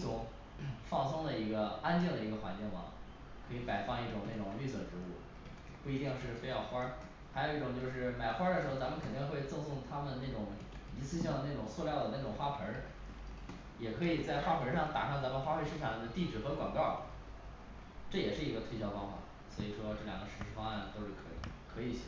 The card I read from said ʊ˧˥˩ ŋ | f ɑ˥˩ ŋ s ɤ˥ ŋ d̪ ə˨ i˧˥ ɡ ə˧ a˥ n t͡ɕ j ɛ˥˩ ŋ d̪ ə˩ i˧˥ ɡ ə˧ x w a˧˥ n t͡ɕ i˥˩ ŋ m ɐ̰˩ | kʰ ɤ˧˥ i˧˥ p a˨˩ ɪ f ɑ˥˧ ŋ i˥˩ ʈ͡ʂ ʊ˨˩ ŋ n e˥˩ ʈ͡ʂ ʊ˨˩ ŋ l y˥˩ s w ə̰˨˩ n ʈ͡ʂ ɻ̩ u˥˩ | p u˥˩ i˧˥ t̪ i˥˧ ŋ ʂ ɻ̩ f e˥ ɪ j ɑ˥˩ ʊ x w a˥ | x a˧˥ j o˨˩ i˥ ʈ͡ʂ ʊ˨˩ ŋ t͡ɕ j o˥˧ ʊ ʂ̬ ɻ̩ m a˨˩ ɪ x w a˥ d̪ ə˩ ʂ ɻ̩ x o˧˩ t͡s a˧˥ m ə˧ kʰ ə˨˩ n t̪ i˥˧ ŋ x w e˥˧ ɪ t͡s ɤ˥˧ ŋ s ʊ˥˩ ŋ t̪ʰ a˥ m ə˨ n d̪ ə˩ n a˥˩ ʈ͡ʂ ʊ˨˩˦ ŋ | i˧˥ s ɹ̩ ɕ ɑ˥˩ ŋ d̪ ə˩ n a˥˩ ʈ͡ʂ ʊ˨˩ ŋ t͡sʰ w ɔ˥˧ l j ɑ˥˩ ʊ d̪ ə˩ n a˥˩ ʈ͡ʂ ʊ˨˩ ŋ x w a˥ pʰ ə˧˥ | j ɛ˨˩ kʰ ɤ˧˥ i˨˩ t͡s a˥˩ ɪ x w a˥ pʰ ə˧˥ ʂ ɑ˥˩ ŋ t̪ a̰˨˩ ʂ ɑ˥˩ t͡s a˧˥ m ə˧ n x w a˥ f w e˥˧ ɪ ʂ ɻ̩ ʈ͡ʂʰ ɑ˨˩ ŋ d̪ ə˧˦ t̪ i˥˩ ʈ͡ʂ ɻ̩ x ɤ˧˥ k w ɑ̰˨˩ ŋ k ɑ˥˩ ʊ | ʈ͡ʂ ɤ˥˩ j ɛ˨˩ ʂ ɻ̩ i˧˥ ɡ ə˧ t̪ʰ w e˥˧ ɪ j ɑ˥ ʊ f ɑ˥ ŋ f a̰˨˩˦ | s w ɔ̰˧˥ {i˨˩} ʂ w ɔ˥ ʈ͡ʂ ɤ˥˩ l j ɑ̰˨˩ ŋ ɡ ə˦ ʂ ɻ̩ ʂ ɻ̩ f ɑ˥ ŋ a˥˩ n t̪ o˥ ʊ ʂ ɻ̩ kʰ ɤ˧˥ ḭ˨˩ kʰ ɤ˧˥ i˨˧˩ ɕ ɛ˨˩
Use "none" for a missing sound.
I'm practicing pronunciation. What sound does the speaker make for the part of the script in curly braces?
i˨˩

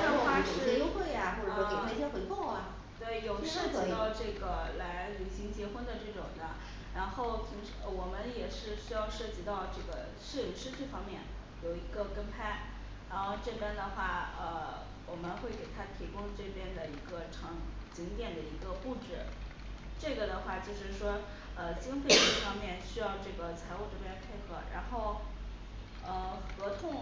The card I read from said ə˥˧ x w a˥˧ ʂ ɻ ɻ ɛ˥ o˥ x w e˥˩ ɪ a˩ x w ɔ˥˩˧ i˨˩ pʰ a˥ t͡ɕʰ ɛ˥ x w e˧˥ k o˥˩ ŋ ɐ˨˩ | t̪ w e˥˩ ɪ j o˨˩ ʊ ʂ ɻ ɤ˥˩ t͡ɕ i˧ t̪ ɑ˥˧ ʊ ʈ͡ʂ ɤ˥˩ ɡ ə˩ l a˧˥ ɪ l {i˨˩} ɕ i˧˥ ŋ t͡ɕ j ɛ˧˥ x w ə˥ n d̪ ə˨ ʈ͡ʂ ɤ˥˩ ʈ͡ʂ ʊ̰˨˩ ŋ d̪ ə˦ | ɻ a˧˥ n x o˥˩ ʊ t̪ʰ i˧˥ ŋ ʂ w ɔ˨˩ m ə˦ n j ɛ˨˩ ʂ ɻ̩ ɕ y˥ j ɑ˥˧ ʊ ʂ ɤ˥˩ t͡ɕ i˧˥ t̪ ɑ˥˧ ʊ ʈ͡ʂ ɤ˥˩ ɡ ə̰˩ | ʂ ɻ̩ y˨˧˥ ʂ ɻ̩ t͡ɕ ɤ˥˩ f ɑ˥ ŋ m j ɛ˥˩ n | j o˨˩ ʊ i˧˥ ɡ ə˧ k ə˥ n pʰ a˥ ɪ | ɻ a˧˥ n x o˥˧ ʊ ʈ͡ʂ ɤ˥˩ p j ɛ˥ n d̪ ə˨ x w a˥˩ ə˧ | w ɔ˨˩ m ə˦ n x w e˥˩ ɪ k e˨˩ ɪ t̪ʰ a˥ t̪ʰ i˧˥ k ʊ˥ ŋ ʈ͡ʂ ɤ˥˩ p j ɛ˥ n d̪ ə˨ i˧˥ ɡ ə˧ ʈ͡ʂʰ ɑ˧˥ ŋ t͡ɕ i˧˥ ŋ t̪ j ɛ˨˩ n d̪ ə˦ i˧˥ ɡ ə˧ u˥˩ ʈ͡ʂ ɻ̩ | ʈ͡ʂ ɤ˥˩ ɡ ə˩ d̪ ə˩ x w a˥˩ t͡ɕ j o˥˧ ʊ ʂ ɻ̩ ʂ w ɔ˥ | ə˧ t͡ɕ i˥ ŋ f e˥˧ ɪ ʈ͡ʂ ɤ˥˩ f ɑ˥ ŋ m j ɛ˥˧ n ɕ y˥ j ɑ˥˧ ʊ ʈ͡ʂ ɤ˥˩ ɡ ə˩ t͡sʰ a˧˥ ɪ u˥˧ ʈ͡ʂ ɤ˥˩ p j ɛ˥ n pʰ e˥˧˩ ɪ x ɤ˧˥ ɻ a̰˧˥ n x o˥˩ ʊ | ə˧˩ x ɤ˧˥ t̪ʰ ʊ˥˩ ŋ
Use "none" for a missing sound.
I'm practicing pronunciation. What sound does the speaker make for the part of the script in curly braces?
y˨˩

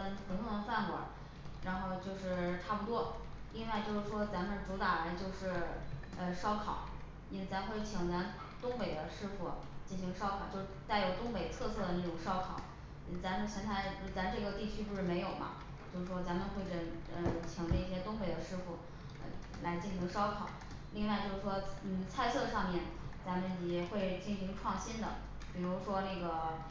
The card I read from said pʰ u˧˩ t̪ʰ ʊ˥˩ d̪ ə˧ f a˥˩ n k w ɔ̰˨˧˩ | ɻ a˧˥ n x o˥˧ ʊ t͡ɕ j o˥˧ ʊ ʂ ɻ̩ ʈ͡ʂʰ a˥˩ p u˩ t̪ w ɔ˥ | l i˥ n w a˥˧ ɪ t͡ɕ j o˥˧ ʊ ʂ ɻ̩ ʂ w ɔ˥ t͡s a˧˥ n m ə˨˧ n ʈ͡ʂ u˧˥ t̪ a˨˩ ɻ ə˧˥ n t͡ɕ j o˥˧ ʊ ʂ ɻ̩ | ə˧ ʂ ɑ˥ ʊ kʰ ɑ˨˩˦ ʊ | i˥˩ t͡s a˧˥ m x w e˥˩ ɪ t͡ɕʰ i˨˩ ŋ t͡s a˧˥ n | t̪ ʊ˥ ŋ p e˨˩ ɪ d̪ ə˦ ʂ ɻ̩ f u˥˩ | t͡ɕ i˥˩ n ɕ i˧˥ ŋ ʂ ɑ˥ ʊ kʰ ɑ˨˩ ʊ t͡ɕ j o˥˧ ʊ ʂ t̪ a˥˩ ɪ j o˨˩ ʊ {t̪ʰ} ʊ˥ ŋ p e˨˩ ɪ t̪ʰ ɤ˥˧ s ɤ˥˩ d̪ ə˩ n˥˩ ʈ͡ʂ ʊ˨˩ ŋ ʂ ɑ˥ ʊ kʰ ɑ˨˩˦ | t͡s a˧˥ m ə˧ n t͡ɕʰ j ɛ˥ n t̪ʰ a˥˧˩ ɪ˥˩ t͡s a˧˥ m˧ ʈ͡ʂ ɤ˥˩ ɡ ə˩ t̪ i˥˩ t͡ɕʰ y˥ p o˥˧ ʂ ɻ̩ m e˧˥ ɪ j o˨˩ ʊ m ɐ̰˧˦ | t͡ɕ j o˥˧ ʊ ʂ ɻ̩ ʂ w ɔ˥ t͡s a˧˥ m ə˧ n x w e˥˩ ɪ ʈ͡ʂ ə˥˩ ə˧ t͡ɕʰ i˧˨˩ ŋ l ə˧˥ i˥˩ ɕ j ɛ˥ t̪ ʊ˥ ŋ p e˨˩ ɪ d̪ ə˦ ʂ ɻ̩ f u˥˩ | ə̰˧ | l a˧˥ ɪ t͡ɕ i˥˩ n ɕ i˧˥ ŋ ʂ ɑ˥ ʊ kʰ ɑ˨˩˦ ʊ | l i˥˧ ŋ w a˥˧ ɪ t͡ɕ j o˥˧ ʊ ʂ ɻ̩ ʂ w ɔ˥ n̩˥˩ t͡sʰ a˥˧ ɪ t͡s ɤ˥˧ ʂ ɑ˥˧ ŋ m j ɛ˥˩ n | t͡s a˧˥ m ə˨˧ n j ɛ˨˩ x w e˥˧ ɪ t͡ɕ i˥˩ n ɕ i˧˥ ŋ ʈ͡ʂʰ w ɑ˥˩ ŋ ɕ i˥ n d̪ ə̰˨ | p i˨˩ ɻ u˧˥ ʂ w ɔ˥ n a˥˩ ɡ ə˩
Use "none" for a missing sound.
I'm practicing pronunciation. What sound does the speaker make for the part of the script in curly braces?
t̪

